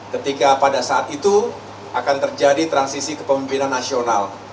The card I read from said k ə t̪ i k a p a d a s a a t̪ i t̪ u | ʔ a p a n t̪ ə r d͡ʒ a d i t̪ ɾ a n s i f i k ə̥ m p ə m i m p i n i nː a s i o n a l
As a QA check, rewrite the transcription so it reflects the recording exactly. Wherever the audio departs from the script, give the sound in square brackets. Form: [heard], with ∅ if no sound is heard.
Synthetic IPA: k ə t̪ i k a p a d a s a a t̪ i t̪ u | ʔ a [k] a n t̪ ə r d͡ʒ a d i t̪ ɾ a n s i [s] i k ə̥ [∅] p ə m i m p i n [a] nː a s i o n a l